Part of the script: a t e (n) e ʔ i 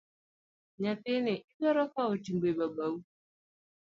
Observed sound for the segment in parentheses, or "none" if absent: n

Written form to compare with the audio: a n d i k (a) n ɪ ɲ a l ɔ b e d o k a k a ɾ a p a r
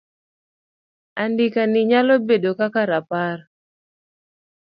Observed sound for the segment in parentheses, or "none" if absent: a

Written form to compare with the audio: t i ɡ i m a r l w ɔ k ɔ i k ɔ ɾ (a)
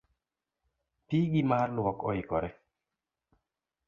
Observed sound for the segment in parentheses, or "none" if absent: ɛ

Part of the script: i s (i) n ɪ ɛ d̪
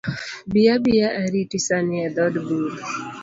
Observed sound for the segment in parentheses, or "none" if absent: a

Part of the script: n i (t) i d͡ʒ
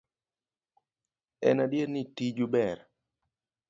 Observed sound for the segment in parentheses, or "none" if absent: t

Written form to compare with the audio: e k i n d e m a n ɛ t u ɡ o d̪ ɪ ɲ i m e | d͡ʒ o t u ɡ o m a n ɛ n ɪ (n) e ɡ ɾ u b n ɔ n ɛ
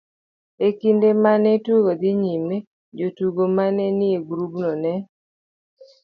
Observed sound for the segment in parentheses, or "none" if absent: none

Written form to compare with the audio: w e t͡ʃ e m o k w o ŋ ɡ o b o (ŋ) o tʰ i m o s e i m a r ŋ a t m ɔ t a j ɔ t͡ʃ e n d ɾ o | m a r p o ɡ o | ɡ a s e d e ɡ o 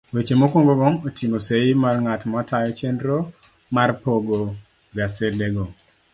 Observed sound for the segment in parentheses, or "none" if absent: ŋ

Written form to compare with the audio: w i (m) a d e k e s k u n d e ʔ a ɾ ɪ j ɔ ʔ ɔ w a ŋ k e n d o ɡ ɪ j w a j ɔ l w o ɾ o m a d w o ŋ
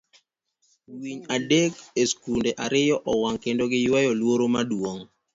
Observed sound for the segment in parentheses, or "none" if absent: ɲ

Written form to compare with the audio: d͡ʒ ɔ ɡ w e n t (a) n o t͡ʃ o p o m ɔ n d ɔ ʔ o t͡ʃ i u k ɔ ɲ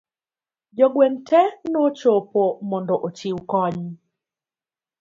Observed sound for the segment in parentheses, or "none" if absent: ɛ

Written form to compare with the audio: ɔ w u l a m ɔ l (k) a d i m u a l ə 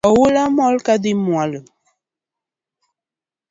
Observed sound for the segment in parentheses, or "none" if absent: k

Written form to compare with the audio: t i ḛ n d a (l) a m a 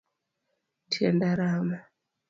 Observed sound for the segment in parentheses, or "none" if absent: ɾ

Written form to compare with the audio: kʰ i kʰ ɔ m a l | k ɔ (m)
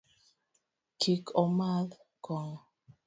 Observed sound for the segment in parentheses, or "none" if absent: ŋ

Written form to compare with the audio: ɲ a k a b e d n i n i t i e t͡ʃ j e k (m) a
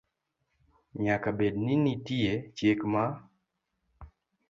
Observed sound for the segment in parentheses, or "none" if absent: m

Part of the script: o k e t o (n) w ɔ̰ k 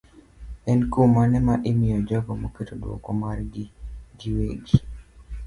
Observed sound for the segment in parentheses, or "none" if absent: d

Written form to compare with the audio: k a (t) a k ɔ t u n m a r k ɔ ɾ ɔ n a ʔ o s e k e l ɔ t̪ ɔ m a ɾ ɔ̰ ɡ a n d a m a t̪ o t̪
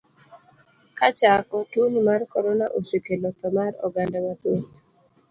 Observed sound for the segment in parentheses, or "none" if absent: t͡ʃ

